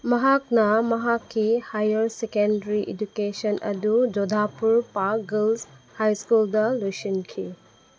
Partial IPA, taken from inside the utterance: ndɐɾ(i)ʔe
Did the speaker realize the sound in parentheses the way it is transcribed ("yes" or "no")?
yes